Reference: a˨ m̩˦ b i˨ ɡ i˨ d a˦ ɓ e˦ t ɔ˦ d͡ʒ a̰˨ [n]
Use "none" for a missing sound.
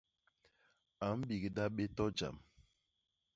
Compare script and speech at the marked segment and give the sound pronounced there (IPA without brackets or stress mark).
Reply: m